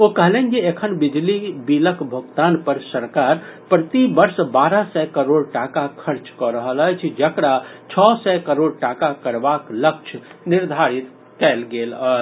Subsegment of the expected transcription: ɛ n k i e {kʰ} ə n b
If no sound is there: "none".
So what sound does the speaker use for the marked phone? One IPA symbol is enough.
kʰ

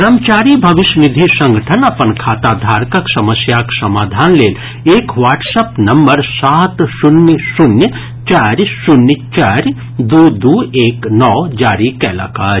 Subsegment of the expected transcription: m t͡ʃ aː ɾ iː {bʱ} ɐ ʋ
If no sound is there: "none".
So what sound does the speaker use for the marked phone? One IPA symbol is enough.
bʱ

